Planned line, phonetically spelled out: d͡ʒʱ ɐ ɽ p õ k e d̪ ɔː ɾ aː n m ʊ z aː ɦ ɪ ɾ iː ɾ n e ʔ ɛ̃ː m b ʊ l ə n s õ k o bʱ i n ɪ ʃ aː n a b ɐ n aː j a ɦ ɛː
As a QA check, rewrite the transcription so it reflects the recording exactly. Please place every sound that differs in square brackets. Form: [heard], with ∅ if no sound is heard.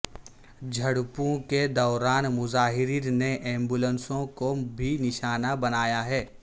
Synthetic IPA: d͡ʒʱ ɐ ɽ p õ k e d̪ ɔː ɾ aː n m ʊ z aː ɦ ɪ ɾ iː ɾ n e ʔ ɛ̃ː m b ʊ l ə n s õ k o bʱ i n ɪ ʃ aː n a b ɐ n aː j a ɦ ɛː